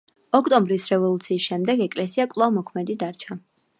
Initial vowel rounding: rounded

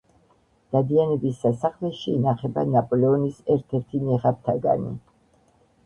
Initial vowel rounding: unrounded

